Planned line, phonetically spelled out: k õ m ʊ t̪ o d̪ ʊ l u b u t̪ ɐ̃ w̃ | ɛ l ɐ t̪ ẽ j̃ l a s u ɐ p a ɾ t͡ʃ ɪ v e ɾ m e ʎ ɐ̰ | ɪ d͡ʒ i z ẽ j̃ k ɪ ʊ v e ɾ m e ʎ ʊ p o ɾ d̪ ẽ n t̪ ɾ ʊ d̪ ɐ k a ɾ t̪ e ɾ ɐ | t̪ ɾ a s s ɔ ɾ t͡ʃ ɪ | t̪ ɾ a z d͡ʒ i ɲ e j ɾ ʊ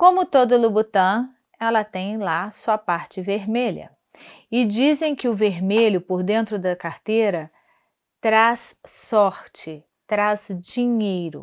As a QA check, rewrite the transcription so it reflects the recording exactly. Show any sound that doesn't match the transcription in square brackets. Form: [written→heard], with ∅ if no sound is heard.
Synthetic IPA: k õ m ʊ t̪ o d̪ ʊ l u b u t̪ ɐ̃ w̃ | ɛ l ɐ t̪ ẽ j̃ l a s u ɐ p a ɾ t͡ʃ ɪ v e ɾ m e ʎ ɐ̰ | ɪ d͡ʒ i z ẽ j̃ k ɪ ʊ v e ɾ m e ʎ ʊ p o ɾ d̪ ẽ n t̪ ɾ ʊ d̪ ɐ k a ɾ t̪ e ɾ ɐ | t̪ ɾ a s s ɔ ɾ t͡ʃ ɪ | t̪ ɾ a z d͡ʒ i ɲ e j ɾ ʊ